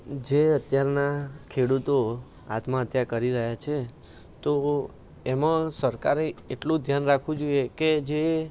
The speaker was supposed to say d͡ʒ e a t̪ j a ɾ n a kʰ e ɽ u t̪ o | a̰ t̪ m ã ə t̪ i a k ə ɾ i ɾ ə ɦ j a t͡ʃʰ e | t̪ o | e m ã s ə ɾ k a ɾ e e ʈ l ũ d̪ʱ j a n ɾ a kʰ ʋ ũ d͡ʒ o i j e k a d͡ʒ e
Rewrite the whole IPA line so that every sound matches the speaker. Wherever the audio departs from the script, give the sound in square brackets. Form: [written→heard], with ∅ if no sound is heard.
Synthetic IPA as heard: d͡ʒ e [a→ə] t̪ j a ɾ n a kʰ e ɽ u t̪ o | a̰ t̪ m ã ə t̪ [i→j] a k ə ɾ i ɾ ə ɦ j a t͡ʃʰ e | t̪ o | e m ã s ə ɾ k a ɾ e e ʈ l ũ d̪ʱ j a n ɾ a kʰ ʋ ũ d͡ʒ o i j e k [a→e] d͡ʒ e